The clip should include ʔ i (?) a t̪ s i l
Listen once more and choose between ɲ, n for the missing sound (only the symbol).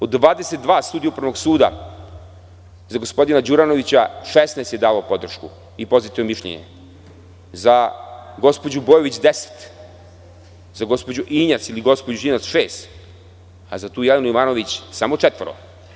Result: ɲ